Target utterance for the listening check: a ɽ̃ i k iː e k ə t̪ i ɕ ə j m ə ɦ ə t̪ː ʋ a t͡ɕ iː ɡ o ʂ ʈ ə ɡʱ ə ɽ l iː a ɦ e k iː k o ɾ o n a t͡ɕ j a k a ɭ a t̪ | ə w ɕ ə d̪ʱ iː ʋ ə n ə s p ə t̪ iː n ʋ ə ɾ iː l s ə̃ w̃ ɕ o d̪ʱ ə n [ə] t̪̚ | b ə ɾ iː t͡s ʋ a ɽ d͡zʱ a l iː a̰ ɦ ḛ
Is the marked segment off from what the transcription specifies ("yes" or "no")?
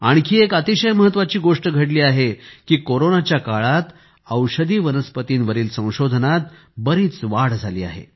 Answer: yes